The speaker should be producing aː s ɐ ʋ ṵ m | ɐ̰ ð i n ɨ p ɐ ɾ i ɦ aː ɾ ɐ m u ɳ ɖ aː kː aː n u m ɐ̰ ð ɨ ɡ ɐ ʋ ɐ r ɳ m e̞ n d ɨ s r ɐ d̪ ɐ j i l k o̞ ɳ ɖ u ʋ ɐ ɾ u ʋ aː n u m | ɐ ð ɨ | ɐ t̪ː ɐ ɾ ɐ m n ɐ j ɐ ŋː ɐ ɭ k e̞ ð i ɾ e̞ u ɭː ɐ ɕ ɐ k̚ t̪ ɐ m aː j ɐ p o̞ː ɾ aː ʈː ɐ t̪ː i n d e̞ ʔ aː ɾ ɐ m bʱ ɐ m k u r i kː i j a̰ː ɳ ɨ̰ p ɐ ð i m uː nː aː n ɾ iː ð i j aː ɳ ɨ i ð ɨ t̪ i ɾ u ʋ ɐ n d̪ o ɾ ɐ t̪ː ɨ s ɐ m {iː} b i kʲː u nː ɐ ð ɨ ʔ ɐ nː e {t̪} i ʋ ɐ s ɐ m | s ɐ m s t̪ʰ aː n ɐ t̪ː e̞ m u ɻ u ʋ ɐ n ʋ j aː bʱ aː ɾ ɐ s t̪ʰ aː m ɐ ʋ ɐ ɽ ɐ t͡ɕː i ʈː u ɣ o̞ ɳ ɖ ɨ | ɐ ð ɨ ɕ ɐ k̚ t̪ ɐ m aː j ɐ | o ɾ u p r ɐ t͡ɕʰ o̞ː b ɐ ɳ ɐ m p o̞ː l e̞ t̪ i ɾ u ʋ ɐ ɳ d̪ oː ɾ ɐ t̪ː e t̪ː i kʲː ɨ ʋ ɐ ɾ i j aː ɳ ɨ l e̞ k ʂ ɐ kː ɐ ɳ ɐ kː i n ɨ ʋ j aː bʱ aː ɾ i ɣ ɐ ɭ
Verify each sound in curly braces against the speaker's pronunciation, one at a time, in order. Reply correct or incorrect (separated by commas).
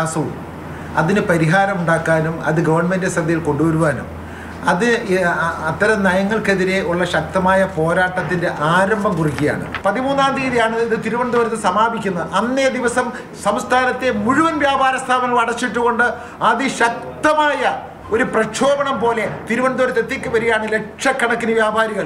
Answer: incorrect, incorrect